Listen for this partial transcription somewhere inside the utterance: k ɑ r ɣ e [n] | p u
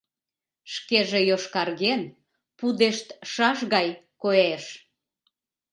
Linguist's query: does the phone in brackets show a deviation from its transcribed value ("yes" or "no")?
no